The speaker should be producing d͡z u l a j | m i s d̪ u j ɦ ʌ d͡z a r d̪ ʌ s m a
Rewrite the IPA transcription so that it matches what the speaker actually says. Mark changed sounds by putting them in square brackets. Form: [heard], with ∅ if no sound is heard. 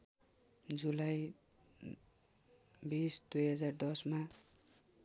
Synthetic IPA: d͡z u l a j | [b] i s d̪ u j ɦ ʌ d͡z a r d̪ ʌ s m a